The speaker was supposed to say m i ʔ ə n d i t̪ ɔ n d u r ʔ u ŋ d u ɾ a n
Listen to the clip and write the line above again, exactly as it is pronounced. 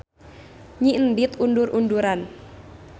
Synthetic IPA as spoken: ɲ i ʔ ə n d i t̪ u n d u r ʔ u n d u ɾ a n

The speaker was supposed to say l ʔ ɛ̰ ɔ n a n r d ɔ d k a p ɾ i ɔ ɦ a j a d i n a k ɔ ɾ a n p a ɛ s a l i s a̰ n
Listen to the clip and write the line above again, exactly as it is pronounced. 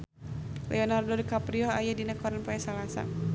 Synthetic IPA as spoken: l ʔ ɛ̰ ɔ n a r d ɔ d k a p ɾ i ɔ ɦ a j a d i n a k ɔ ɾ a n p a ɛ s a l a s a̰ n

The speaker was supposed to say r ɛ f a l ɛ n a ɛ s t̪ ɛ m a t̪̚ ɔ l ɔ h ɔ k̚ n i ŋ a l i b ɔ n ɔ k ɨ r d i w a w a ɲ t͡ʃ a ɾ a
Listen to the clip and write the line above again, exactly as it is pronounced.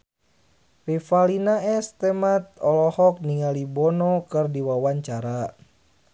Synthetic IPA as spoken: r i f a l i n a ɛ s t̪ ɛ m a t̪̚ ɔ l ɔ h ɔ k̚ n i ŋ a l i b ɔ n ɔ k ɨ r d i w a w a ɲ t͡ʃ a ɾ a

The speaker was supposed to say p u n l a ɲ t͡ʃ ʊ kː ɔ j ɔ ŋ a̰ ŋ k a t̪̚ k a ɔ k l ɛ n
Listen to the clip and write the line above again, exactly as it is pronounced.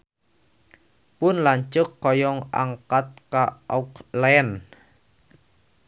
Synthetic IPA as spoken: p ʊ n l a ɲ t͡ʃ ʊ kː ɔ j ɔ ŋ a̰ ŋ k a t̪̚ k a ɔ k l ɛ n

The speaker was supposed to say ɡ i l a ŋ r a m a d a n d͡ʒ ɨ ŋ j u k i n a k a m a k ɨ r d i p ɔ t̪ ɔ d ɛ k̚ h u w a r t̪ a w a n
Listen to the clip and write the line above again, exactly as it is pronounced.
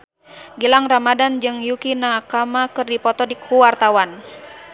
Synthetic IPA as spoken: ɡ i l a ŋ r a m a d a n d͡ʒ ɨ ŋ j u k i n a k a m a k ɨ r d i p ɔ t̪ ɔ d i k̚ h u w a r t̪ a w a n

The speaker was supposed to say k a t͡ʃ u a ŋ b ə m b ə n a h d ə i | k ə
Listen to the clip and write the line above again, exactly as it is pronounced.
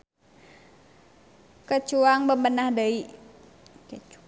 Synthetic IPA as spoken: k ə t͡ʃ u a ŋ b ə m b ə n a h d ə i | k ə

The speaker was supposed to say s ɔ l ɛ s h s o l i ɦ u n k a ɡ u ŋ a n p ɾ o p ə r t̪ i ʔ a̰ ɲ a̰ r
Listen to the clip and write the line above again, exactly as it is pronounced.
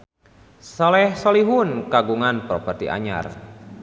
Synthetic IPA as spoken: s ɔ l ɛ h s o l i ɦ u n k a ɡ u ŋ a n p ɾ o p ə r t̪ i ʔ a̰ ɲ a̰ r

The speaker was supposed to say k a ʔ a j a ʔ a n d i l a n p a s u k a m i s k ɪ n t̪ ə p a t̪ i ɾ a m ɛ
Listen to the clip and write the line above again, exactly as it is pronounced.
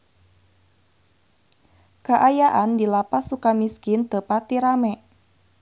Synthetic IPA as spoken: k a ʔ a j a ʔ a n d i l a p a s u k a m i s k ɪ n t̪ ə p a t̪ i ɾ a m ɛ

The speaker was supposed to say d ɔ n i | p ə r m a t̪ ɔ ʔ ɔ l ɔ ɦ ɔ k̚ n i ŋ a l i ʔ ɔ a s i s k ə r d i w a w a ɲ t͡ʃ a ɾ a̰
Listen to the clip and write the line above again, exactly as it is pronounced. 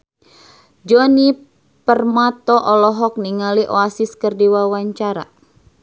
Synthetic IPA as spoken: d͡ʒ ɔ n i | p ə r m a t̪ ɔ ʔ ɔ l ɔ ɦ ɔ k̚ n i ŋ a l i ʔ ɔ a s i s k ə r d i w a w a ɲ t͡ʃ a ɾ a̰

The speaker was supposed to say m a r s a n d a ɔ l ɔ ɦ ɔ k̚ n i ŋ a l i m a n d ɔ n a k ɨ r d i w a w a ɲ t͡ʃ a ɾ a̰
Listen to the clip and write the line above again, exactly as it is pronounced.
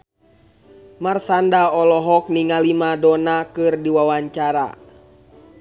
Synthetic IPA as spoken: m a r s a n d a ɔ l ɔ ɦ ɔ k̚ n i ŋ a l i m a d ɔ n a k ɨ r d i w a w a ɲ t͡ʃ a ɾ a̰

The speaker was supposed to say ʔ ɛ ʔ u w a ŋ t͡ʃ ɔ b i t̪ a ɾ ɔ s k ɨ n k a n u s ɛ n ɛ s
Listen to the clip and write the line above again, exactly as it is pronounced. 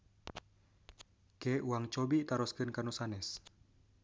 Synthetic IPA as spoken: k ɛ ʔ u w a ŋ t͡ʃ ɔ b i t̪ a ɾ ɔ s k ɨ n k a n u s a n ɛ s

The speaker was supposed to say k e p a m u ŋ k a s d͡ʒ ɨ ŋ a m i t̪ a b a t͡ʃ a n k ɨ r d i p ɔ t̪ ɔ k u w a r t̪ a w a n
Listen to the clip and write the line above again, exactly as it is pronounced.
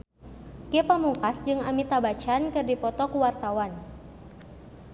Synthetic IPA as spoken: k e p a m u ŋ k a s d͡ʒ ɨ ŋ a m i t̪ a b a t͡ʃ a n k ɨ r d i p ɔ t̪ ɔ k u w a r t̪ a w a n

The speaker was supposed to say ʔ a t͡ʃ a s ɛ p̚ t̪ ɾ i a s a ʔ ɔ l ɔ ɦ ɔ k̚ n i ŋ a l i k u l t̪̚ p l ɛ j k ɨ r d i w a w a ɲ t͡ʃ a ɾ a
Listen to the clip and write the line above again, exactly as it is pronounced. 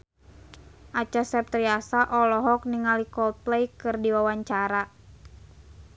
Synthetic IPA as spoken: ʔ a t͡ʃ a s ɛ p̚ t̪ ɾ i a s a ʔ ɔ l ɔ ɦ ɔ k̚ n i ŋ a l i k ɔ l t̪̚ p l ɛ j k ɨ r d i w a w a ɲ t͡ʃ a ɾ a

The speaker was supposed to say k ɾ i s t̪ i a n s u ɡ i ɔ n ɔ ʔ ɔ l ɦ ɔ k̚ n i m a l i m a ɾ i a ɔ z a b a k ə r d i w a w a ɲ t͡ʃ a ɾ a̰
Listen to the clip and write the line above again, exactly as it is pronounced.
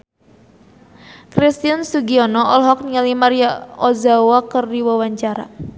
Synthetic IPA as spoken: k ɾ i s t̪ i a n s u ɡ i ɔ n ɔ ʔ ɔ l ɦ ɔ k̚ n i ŋ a l i m a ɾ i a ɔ z a w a k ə r d i w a w a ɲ t͡ʃ a ɾ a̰

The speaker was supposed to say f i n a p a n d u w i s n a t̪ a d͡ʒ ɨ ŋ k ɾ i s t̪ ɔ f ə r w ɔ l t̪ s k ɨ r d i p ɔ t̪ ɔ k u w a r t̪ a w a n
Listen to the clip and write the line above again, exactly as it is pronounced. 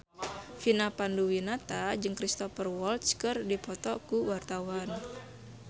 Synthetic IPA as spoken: f i n a p a n d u w i n a t̪ a d͡ʒ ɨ ŋ k ɾ i s t̪ ɔ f ə r w ɔ l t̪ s k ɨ r d i p ɔ t̪ ɔ k u w a r t̪ a w a n

